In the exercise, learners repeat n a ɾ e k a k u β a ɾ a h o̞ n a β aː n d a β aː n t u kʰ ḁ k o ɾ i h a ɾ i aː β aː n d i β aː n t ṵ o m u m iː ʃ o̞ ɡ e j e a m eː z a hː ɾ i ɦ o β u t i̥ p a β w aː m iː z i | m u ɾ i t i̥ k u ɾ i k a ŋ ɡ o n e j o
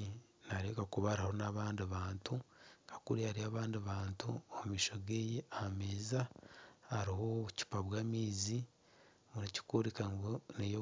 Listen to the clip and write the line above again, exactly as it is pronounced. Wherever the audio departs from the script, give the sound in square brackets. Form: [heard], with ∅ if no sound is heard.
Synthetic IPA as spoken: n a ɾ e k a k u β a ɾ a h o̞ n a β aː n d [i] β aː n t u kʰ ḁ k [u] ɾ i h a ɾ i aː β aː n d i β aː n t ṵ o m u m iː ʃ o̞ ɡ e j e a m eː z a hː ɾ i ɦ o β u [c] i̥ p a β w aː m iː z i | m u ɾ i [c] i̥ k u ɾ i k a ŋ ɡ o n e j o